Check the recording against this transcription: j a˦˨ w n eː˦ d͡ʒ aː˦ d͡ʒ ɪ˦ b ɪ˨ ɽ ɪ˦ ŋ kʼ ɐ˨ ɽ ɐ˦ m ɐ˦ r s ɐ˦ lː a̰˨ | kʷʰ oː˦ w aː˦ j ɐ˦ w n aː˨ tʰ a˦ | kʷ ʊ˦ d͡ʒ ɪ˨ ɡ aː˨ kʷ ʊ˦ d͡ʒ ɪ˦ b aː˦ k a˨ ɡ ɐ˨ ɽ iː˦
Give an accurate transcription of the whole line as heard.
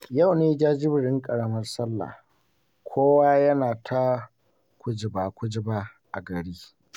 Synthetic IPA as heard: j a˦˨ w n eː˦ d͡ʒ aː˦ d͡ʒ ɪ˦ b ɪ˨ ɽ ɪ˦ ŋ kʼ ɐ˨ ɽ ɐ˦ m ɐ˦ r s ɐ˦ lː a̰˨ | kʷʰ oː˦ w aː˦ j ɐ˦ n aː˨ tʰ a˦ | kʷ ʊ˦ d͡ʒ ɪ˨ b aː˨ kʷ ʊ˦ d͡ʒ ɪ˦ b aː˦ ʔ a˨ ɡ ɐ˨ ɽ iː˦